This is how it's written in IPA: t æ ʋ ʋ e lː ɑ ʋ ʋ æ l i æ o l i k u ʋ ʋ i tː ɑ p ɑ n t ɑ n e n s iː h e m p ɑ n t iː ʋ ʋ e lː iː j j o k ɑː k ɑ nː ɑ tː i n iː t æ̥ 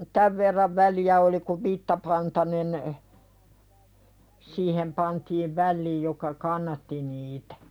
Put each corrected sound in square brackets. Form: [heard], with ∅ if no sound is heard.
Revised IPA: t æ ʋ ʋ e [rː] ɑ ʋ ʋ æ l i æ o l i k u ʋ ʋ i tː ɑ p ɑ n t ɑ n e n s iː h e m p ɑ n t iː ʋ ʋ [æ] lː iː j j o k [ɑ] k ɑ nː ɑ tː i n iː t æ̥